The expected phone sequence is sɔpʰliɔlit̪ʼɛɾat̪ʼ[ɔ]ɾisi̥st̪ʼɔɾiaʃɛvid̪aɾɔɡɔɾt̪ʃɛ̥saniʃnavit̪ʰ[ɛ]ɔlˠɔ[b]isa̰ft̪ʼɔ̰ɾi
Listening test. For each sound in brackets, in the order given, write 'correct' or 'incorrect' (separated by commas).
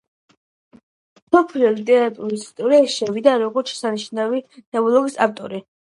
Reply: incorrect, correct, incorrect